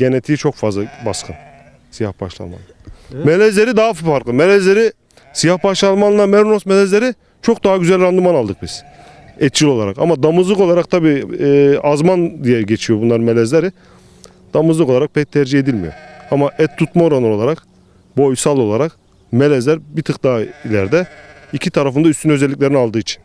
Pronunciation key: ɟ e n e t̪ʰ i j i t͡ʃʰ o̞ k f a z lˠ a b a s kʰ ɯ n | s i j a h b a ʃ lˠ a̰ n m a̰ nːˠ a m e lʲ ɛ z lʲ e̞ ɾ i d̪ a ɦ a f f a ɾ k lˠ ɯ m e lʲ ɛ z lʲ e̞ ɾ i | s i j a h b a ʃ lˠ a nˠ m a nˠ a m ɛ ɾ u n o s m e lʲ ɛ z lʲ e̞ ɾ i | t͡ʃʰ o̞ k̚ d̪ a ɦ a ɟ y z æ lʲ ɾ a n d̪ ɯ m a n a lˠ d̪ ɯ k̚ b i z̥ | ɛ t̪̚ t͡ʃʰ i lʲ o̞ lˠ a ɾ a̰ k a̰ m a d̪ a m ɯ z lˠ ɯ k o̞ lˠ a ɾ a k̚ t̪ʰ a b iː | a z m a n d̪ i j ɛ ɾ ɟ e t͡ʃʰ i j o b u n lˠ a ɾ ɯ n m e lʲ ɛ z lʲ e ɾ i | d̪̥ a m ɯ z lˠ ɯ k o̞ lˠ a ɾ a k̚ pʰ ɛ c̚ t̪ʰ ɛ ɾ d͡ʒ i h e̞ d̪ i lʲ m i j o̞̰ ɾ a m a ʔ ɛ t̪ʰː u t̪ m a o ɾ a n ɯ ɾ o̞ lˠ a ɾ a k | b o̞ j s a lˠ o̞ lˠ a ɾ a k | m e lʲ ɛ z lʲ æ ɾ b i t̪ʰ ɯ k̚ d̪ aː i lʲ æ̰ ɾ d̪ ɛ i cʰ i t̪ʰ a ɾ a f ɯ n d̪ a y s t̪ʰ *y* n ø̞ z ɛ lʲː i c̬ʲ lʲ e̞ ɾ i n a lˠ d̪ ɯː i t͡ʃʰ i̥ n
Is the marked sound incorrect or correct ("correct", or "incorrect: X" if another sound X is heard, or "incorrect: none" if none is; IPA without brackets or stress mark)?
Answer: correct